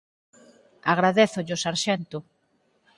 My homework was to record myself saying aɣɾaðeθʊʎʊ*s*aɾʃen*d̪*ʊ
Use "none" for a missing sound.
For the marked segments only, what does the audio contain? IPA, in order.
s, t̪

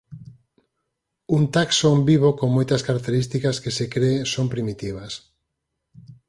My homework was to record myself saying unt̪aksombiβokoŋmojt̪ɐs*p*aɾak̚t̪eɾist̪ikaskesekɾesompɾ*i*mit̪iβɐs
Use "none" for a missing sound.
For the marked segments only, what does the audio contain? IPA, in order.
k, i

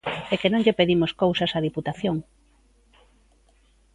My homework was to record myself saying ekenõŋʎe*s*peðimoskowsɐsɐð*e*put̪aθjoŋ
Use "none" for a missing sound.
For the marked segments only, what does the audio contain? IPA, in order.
none, i

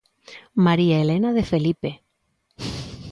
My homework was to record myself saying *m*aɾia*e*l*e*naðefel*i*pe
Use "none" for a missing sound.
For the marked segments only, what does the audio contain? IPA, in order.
m, e, e, i

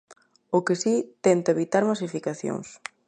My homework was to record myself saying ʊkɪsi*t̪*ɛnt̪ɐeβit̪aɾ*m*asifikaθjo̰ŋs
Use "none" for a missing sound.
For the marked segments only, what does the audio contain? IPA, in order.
t̪, m

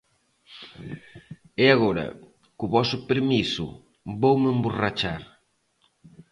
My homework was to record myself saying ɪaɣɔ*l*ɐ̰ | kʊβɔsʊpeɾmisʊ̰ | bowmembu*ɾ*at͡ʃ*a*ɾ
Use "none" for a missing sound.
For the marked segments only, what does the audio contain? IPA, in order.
ɾ, r, a

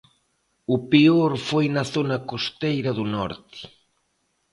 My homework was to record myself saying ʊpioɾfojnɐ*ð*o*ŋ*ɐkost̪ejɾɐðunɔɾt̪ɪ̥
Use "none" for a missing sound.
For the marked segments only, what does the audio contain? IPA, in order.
θ, n

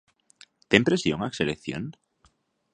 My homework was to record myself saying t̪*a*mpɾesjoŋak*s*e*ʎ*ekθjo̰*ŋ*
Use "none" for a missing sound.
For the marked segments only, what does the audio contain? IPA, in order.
e, s, l, n

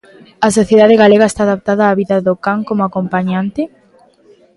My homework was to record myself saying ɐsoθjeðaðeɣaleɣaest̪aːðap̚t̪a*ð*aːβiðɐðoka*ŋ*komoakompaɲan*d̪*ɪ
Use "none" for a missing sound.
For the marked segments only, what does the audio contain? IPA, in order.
ð, ŋ, t̪

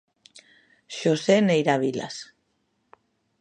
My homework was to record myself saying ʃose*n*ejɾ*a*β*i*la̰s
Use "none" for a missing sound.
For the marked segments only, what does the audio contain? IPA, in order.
n, a, i

